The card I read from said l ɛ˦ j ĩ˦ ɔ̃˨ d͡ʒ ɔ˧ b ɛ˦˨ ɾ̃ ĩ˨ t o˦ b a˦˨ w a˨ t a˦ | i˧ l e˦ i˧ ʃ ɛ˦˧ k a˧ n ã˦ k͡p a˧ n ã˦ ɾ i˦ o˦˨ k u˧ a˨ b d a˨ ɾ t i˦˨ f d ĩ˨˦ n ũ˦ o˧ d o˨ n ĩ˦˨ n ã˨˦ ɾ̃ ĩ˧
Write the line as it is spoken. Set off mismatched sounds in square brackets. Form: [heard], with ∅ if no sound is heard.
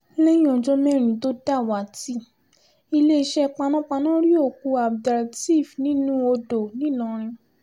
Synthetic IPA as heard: l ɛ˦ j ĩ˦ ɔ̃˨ d͡ʒ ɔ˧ [m] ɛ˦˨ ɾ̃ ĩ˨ t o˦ [d] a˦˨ w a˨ t [i˦] | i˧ l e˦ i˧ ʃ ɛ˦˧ [k͡p] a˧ n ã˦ k͡p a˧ n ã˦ ɾ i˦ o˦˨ k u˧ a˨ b d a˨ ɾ t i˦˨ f [n] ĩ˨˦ n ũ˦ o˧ d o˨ n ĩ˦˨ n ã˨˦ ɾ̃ ĩ˧